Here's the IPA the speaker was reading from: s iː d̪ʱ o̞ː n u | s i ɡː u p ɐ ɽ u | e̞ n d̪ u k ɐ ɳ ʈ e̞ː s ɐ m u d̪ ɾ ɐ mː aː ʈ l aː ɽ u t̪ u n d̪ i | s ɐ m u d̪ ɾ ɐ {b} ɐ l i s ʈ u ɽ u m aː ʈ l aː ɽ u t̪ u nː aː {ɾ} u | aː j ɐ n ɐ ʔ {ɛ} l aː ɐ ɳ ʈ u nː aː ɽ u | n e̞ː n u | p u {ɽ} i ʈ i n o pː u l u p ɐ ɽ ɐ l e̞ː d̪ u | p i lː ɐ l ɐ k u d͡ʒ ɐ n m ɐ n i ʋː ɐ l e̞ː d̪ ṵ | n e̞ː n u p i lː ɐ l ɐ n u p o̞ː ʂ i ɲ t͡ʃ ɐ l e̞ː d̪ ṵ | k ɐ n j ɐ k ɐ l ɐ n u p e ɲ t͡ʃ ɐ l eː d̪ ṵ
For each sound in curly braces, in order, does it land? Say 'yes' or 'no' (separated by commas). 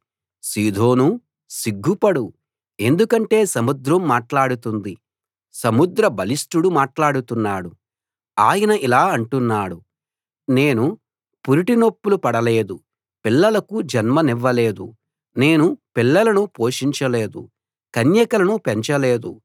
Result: yes, no, no, no